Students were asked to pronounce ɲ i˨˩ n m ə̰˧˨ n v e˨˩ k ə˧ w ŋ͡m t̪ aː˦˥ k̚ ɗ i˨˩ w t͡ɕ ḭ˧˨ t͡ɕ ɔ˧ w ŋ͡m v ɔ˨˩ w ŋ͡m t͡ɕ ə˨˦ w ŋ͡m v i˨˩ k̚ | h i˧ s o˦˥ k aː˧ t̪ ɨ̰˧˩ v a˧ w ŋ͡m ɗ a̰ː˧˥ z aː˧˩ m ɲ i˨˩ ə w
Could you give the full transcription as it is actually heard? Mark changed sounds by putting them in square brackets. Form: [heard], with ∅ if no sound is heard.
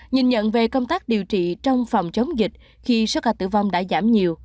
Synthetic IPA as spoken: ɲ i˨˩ n [ɲ] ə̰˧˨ n v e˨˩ k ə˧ w ŋ͡m t̪ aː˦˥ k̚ ɗ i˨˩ w t͡ɕ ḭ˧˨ t͡ɕ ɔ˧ w ŋ͡m [f] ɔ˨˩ w ŋ͡m t͡ɕ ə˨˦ w ŋ͡m [z] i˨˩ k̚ | [x] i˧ s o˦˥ k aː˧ t̪ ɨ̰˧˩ v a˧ w ŋ͡m ɗ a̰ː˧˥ z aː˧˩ m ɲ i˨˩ ə w